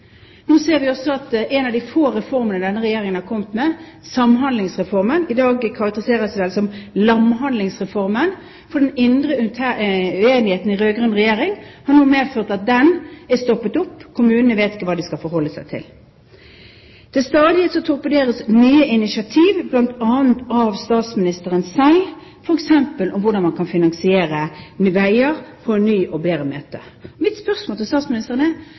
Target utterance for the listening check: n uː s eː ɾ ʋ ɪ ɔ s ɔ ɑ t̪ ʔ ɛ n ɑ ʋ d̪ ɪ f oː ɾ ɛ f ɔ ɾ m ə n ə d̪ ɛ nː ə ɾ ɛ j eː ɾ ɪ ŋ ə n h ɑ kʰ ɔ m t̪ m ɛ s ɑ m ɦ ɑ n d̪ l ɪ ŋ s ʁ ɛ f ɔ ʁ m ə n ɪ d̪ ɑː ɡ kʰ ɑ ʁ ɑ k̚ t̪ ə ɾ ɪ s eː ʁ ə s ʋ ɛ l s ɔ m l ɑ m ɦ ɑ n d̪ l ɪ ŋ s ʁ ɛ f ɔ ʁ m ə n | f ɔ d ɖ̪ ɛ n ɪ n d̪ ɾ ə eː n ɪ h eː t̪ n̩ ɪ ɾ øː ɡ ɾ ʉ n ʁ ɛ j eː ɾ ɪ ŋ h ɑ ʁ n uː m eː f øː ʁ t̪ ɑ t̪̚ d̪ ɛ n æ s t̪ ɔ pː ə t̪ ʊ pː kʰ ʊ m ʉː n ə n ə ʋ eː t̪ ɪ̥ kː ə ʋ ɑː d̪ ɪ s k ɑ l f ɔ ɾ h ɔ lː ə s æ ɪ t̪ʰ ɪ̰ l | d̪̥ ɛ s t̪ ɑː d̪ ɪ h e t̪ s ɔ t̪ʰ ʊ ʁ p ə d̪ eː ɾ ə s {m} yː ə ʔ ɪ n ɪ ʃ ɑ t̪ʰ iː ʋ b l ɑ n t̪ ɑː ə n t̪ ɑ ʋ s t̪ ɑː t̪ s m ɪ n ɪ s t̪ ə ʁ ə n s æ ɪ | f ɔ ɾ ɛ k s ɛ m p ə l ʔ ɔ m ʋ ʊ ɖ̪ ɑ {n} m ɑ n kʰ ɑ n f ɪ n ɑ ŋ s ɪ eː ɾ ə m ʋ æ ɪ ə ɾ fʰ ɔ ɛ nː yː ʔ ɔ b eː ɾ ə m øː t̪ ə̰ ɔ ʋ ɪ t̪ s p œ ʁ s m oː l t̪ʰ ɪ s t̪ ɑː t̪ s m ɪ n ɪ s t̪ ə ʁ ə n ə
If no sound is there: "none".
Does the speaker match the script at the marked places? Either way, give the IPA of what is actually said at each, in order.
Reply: n, n

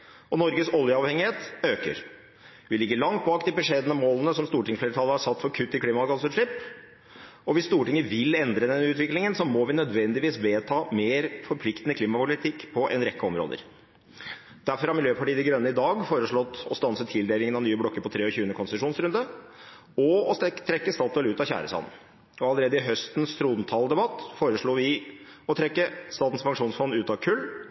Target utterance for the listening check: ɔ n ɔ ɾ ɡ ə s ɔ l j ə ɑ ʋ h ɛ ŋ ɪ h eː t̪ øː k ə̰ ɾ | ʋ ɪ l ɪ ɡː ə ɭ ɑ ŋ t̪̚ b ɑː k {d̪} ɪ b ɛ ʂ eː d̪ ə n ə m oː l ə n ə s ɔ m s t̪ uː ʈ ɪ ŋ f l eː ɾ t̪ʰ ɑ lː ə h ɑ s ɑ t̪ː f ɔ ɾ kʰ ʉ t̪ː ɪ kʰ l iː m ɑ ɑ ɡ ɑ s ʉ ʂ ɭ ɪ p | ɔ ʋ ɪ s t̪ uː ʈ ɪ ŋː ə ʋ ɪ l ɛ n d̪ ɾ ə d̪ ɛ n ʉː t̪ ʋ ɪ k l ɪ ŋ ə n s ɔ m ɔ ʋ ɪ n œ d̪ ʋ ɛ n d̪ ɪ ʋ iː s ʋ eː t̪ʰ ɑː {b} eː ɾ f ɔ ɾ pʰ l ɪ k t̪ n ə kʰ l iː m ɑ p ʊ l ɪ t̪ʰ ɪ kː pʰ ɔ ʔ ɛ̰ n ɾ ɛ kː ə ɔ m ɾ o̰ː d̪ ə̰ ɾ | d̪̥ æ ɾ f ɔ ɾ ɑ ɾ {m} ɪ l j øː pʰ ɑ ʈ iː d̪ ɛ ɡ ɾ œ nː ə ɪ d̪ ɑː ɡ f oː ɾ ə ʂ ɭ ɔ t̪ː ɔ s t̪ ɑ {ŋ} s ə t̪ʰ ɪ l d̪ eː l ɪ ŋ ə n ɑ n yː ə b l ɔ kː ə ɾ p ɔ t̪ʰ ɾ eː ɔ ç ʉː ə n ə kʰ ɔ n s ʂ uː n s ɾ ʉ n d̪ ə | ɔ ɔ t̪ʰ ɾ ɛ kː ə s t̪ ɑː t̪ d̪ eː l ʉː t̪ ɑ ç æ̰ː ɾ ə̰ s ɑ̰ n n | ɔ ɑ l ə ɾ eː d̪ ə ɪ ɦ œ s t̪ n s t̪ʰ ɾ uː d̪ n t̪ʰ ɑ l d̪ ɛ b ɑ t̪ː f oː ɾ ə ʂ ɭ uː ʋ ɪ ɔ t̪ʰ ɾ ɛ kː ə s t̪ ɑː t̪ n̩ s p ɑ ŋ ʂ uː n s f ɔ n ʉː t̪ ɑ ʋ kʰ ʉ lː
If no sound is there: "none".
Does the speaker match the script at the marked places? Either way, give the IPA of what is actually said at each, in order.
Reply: d̪, m, m, n

